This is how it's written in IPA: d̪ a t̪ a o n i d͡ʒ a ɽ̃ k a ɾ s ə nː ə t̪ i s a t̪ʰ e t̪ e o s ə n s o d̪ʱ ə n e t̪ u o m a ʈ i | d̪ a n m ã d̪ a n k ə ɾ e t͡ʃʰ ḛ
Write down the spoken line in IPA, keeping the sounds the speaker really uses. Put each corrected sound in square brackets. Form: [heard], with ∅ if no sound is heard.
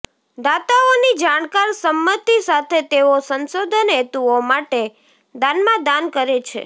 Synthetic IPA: d̪ a t̪ a o n i d͡ʒ a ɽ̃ k a ɾ s ə [mː] ə t̪ i s a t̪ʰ e t̪ e o s ə n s o d̪ʱ ə n e t̪ u o m a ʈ [e] | d̪ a n m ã d̪ a n k ə ɾ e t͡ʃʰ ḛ